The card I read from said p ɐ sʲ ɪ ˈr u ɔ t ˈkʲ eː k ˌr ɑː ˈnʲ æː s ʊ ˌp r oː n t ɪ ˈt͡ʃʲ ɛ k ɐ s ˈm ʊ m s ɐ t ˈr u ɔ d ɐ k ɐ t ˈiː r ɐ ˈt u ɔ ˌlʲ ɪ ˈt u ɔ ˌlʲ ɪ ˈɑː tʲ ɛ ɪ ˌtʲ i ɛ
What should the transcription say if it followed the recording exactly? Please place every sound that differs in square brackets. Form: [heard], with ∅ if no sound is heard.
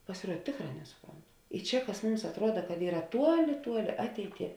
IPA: p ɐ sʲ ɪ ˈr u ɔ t [ˈtʲ] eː k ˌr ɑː ˈnʲ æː s ʊ ˌp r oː n t ɪ ˈt͡ʃʲ ɛ k ɐ s ˈm ʊ m s ɐ t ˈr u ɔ d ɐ k ɐ t ˈiː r ɐ ˈt u ɔ ˌlʲ ɪ ˈt u ɔ ˌlʲ ɪ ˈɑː tʲ ɛ ɪ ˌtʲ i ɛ